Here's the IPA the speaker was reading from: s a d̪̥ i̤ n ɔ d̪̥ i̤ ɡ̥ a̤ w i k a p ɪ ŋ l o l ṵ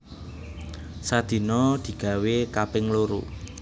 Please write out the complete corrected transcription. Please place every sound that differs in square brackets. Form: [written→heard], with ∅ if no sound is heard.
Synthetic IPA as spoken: s a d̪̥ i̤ n ɔ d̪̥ i̤ ɡ̥ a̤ w [i→e] k a p ɪ ŋ l o [l→ɾ] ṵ